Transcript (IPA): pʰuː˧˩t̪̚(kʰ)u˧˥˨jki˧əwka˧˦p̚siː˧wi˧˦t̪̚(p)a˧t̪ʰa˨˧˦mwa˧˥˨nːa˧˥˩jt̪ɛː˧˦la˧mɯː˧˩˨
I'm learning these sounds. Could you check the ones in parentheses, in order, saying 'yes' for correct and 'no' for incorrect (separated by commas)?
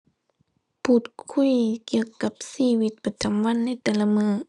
yes, yes